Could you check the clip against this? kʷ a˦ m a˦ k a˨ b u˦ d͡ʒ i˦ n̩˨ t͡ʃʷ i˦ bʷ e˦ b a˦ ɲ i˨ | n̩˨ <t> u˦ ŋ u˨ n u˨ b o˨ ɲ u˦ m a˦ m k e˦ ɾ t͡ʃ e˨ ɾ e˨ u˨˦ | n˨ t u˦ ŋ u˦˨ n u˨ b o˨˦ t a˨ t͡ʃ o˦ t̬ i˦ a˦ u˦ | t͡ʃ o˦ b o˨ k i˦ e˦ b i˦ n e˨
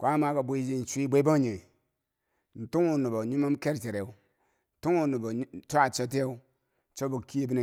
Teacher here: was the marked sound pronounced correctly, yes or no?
yes